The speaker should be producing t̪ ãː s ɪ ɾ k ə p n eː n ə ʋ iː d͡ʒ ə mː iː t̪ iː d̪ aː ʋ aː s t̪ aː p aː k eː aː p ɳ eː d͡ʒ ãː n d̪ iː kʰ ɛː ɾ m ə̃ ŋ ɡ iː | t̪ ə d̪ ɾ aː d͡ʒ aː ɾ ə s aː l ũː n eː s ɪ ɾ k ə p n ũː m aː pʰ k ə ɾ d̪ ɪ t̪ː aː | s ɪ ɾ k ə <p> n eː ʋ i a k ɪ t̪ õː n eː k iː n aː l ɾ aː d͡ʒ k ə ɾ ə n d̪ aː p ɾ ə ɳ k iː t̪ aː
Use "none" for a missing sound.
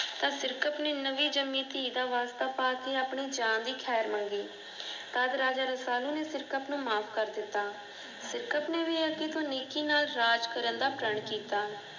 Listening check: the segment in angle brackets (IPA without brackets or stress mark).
p